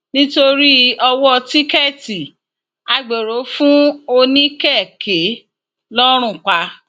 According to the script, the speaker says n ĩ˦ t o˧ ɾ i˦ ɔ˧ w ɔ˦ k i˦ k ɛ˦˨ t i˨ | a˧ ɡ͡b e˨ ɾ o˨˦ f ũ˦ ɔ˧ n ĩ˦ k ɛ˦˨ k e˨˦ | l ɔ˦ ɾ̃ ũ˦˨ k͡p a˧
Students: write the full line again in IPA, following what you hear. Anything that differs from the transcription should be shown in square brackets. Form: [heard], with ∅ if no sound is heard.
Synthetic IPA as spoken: n ĩ˦ t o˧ ɾ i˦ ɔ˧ w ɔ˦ [t] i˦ k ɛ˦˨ t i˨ | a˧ ɡ͡b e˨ ɾ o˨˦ f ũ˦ [o˧] n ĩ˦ k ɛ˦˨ k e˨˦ | l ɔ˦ ɾ̃ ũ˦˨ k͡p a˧